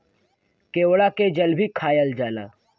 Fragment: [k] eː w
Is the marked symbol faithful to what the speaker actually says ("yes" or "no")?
yes